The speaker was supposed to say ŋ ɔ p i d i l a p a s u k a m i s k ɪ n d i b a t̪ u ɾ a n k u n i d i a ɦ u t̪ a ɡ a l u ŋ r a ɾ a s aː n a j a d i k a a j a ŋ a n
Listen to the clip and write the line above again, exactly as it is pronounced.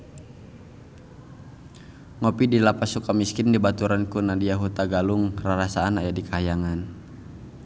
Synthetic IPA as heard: ŋ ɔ p i d i l a p a s u k a m i s k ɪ n d i b a t̪ u ɾ a n k u n a d i a ɦ u t̪ a ɡ a l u ŋ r a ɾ a s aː n a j a d i k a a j a ŋ a n